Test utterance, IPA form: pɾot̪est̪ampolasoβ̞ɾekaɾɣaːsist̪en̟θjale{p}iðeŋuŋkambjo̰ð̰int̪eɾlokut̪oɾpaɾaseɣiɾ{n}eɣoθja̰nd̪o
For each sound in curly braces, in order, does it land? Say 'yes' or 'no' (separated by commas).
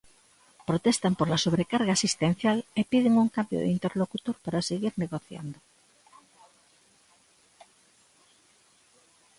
yes, yes